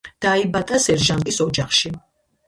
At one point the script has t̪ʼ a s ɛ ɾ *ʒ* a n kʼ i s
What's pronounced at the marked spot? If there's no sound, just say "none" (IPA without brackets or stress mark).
ʒ